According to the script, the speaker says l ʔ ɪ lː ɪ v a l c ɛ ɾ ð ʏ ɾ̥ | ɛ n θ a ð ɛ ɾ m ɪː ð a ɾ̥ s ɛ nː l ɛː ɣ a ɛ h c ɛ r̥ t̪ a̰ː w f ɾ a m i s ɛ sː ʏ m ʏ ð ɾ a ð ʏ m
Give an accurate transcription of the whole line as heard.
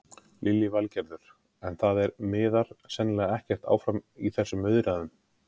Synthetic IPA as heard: l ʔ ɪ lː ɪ v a l c ɛ ɾ ð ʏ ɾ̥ | ɛ n θ a ð ɛ ɾ m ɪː ð a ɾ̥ s ɛ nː l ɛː ɣ a ɛ h c ɛ r̥ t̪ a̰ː w f ɾ a m i θ ɛ sː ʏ m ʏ ð ɾ a ð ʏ m

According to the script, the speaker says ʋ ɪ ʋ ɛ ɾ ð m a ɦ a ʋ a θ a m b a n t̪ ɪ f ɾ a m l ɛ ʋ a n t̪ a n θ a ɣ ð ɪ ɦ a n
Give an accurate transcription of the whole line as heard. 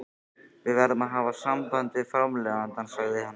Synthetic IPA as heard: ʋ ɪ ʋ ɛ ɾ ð m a ɦ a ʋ a s a m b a n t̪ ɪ f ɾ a m l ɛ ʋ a n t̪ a n s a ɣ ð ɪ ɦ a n

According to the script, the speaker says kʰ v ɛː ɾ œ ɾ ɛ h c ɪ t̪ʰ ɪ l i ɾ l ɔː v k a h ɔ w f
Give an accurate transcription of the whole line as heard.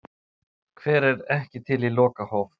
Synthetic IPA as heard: kʰ v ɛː ɾ ɛ ɾ ɛ h c ɪ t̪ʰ ɪ l i l ɔː k a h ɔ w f

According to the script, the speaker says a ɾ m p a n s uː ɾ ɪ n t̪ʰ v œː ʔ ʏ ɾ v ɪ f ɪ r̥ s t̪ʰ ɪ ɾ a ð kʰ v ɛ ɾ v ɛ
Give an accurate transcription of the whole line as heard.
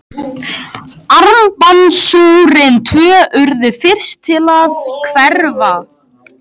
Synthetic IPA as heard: a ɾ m p a n s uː ɾ ɪ n t̪ʰ v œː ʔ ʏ ɾ ð ɪ f ɪ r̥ s t̪ʰ ɪ l a ð kʰ v ɛ ɾ v a

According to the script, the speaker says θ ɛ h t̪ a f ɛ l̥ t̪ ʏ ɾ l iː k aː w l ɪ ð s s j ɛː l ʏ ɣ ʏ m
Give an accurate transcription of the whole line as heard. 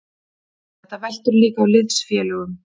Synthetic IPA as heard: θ ɛ h t̪ a v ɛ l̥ t̪ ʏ ɾ l iː k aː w l ɪ ð s f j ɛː l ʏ ɣ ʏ m

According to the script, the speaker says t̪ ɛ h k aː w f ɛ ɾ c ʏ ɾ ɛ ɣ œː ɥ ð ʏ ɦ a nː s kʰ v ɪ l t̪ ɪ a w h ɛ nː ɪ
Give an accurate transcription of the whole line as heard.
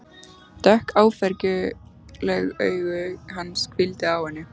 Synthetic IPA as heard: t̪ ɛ h k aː w f ɛ ɾ c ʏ l ɛ ɣ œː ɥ ɣ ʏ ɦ a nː s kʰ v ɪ l t̪ ɪ a w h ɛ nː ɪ

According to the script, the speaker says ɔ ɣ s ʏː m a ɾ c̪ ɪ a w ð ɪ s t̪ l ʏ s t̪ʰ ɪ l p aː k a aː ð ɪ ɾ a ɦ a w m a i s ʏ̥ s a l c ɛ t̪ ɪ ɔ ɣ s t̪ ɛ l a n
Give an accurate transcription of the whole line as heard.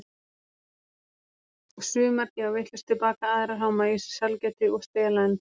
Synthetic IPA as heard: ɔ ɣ s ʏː m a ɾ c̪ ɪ a w v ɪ h t̪ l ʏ s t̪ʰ ɪ l p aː k a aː ð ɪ ɾ a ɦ a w m a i s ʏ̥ s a l c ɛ t̪ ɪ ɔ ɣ s t̪ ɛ l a n

